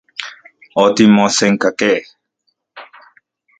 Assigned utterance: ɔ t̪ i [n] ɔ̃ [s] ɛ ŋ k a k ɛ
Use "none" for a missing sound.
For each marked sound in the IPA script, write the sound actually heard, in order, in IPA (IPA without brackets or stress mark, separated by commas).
m, s